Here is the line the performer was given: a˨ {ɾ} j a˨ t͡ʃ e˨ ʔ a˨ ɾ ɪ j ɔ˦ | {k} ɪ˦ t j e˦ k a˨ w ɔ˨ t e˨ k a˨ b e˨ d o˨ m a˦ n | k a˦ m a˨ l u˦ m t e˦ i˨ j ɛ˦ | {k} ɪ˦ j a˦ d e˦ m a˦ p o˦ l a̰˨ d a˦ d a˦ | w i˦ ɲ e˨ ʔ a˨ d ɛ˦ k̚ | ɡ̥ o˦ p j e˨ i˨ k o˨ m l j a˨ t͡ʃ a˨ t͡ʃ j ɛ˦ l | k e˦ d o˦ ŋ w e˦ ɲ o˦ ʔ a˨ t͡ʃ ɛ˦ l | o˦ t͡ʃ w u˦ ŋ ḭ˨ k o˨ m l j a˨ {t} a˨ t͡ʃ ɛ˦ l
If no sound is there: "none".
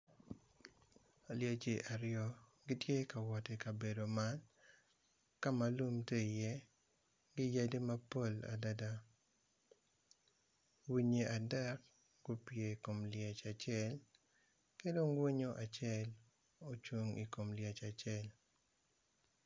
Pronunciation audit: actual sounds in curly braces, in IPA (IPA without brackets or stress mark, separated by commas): l, ɡ, ɡ, t͡ʃ